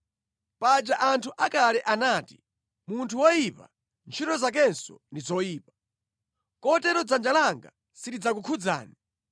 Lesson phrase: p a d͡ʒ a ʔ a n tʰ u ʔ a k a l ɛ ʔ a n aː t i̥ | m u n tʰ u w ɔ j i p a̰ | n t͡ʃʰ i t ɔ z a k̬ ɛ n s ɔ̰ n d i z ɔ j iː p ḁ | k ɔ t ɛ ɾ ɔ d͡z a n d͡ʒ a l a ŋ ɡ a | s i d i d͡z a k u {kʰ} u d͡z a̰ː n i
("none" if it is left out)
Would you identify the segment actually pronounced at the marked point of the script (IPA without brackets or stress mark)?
kʰ